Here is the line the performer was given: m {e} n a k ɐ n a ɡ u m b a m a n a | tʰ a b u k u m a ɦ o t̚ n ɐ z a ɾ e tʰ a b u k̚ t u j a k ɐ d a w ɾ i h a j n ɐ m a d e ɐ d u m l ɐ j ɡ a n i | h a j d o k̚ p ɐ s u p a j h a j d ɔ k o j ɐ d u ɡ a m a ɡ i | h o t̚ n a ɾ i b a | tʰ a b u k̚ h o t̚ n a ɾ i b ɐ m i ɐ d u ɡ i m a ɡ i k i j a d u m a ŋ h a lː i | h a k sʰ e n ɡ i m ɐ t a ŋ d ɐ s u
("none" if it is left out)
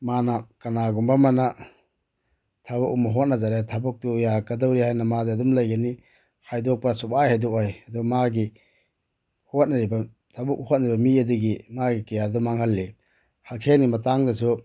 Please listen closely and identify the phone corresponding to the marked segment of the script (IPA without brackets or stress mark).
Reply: a